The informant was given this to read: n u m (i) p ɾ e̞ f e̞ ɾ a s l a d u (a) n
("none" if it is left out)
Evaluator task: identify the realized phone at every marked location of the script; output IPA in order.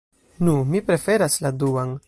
i, a

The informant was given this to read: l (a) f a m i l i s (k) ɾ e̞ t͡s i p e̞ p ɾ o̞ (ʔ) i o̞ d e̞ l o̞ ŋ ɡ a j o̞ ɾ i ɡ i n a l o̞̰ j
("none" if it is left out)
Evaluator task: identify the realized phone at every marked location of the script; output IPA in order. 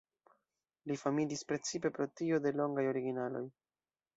i, p, t

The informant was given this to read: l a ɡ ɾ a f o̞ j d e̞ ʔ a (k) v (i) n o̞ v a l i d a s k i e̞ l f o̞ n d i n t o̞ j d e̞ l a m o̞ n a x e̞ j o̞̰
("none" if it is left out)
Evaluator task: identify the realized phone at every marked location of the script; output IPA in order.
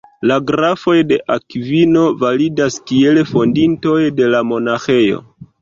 k, i

